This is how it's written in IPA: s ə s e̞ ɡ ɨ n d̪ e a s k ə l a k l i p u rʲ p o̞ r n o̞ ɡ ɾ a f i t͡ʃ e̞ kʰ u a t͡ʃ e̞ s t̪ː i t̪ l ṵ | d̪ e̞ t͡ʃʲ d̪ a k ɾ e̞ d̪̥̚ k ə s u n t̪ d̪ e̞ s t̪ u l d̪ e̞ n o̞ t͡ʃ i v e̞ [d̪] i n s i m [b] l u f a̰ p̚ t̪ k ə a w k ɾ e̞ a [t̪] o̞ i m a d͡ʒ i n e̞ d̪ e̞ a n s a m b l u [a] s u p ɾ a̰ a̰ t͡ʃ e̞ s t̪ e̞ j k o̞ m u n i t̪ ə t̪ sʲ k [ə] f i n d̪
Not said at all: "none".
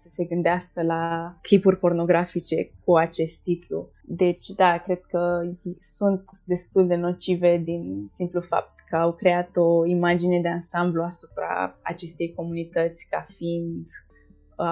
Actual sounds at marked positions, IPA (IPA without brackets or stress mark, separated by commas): d̪, p, t̪, a, a